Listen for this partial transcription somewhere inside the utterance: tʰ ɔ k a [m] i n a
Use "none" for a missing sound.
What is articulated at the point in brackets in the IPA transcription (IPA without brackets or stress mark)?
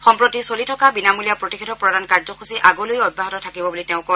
b